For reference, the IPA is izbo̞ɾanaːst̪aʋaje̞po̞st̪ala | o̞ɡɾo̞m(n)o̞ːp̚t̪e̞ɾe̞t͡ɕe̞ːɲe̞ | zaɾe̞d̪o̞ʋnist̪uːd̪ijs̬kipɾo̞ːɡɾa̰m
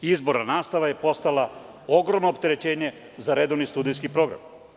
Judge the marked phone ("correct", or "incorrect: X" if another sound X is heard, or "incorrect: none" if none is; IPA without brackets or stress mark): correct